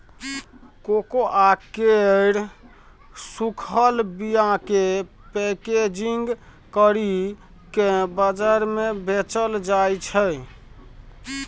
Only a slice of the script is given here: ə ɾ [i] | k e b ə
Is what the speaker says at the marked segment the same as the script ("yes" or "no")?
yes